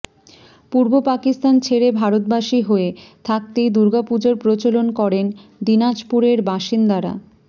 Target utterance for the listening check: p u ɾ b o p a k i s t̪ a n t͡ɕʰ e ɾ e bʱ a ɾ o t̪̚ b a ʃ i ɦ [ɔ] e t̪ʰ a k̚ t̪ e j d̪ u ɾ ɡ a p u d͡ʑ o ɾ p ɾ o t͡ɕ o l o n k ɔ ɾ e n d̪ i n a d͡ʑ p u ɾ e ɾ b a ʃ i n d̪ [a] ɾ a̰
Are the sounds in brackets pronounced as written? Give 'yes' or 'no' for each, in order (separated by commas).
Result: no, yes